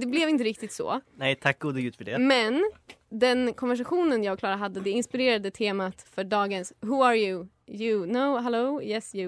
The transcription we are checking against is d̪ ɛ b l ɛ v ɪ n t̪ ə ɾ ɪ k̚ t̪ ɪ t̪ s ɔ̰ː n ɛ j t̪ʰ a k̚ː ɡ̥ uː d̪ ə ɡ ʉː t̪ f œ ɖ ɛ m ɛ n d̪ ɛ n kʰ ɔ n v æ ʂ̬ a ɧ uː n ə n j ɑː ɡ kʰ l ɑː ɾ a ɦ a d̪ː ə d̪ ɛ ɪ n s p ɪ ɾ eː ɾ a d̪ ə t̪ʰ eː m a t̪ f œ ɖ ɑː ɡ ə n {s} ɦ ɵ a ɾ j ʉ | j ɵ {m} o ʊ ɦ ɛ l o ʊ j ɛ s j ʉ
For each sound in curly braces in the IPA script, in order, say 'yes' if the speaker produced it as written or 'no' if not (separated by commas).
yes, no